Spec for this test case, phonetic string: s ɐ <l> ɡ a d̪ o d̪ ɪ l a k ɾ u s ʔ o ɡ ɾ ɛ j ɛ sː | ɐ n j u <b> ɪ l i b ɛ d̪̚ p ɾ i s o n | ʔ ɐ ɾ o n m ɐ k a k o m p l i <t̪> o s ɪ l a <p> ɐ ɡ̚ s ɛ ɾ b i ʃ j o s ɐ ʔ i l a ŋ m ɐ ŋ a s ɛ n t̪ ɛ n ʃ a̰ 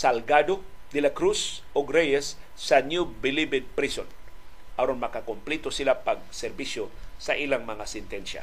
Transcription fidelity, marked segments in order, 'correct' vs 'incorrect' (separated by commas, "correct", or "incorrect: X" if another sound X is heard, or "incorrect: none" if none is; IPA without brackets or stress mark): correct, correct, correct, correct